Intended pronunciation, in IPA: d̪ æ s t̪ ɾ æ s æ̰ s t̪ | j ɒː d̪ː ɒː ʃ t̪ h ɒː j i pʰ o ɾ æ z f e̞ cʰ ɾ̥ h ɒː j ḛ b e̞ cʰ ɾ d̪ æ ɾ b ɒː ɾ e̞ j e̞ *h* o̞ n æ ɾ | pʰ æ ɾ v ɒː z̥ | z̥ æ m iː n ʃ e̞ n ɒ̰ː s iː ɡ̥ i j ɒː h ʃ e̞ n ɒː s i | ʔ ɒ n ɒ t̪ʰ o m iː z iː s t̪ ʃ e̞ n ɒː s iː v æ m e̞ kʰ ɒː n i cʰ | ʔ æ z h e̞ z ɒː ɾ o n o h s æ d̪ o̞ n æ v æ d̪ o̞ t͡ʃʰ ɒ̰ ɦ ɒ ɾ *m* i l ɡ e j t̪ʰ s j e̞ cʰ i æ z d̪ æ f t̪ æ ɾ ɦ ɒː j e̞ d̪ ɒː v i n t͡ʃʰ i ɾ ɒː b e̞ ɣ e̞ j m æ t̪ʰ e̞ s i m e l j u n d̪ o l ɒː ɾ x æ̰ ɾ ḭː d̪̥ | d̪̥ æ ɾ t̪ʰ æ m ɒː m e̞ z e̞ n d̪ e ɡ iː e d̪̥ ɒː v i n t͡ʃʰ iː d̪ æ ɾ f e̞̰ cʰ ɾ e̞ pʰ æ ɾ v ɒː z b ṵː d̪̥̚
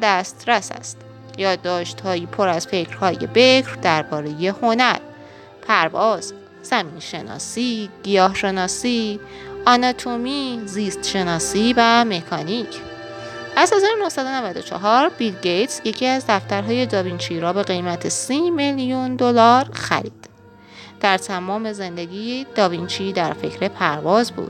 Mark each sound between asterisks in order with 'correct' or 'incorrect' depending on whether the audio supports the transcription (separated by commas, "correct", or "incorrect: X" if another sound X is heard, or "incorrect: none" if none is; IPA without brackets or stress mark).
correct, incorrect: b